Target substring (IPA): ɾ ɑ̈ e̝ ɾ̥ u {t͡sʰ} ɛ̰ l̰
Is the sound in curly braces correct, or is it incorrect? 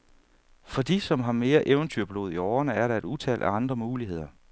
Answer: correct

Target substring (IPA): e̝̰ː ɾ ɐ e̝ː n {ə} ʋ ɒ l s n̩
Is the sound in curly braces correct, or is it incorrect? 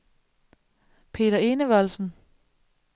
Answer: correct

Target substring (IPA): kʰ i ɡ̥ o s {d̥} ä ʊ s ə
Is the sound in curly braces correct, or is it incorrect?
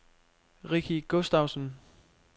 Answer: correct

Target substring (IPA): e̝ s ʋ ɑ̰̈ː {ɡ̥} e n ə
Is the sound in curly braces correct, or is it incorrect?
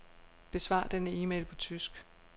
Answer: incorrect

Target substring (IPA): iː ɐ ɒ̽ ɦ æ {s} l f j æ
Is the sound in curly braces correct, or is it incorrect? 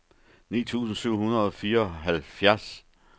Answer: incorrect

